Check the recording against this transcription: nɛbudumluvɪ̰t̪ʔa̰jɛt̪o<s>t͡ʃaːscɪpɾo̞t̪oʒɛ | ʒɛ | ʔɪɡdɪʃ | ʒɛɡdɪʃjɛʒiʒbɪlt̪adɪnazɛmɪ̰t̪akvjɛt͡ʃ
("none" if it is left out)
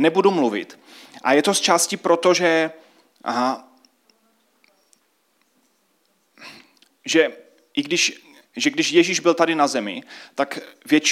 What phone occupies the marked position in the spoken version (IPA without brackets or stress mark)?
s